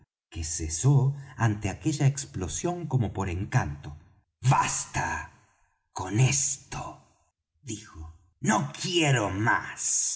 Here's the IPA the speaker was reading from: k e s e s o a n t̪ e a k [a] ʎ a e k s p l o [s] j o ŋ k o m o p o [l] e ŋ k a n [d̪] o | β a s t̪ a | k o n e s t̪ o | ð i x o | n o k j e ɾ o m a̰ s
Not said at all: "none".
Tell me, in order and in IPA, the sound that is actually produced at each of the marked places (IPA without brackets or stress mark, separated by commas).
e, s, ɾ, t̪